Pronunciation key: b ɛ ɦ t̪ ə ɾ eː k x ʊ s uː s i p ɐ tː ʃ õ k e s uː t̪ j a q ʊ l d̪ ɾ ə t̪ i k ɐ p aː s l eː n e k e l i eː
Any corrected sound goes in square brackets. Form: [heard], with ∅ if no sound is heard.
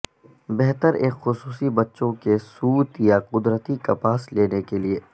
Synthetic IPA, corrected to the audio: b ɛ ɦ t̪ ə ɾ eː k x ʊ s uː s i [b] ɐ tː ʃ õ k e s uː t̪ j a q ʊ [∅] d̪ ɾ ə t̪ i k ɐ p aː s l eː n e k e l i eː

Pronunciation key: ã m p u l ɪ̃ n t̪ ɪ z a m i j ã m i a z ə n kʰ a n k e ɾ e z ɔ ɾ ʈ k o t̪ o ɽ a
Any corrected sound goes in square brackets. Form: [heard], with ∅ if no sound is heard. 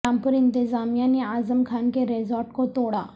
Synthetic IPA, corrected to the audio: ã m p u [ɾ] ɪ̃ n t̪ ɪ z a m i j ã [n] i a z ə [m] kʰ a n k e ɾ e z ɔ ɾ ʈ k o t̪ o ɽ a

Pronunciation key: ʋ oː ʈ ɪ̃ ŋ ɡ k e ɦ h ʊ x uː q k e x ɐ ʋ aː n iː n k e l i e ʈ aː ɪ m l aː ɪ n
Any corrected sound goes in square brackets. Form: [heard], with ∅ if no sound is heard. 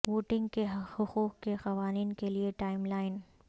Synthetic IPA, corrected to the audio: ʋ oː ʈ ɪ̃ ŋ ɡ k e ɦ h ʊ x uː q k e x ɐ ʋ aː n iː n k e l i e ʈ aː ɪ m l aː ɪ n

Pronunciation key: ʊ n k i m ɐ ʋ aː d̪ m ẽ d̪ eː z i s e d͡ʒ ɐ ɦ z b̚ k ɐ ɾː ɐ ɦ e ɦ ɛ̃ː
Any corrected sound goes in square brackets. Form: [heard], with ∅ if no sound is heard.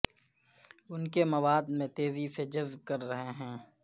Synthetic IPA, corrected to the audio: ʊ n k [e] m ɐ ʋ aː d̪ m ẽ [t̪] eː z i s e d͡ʒ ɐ [∅] z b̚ k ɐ ɾː ɐ ɦ e ɦ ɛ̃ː

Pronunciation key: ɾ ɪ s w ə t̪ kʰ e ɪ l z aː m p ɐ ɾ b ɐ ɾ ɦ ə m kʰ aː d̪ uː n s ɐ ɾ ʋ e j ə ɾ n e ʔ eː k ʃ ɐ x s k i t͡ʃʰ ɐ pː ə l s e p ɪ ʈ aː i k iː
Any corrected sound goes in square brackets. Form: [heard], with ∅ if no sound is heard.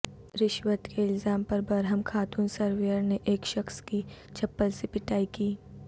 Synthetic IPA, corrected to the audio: ɾ ɪ [ʃ] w ə t̪ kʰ e ɪ l z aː m p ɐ ɾ b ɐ ɾ ɦ ə m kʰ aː [t̪] uː n s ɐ ɾ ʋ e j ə ɾ n e ʔ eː k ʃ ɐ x s k i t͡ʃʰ ɐ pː ə l s e p ɪ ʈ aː i k iː

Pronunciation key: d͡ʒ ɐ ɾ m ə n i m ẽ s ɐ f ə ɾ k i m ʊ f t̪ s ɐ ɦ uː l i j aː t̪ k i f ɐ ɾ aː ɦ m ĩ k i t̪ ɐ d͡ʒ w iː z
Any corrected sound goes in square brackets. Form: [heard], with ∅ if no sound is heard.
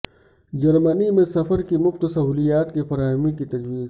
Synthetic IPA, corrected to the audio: d͡ʒ ɐ ɾ m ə n i m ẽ s ɐ f ə ɾ k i m ʊ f t̪ s ɐ ɦ uː l i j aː t̪ k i f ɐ ɾ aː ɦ m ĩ k i t̪ ɐ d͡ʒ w iː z

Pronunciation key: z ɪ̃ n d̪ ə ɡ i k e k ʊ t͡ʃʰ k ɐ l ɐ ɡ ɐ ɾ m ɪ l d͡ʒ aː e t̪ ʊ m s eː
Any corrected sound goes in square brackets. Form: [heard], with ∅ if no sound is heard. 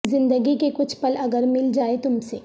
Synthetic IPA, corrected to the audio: z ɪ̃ n d̪ ə ɡ i k e k ʊ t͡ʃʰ [p] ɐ l ɐ ɡ [ə] ɾ m ɪ l d͡ʒ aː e t̪ ʊ m s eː

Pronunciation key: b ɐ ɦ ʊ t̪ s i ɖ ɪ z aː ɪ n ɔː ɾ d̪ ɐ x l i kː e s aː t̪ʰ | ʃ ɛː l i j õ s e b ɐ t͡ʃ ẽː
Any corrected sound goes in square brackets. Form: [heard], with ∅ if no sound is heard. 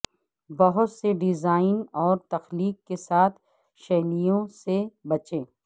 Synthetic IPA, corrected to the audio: b ɐ ɦ ʊ t̪ s [e] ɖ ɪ z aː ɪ n ɔː ɾ [t̪] ɐ x l [iː] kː e s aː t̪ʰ | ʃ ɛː l i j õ s e b ɐ t͡ʃ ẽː

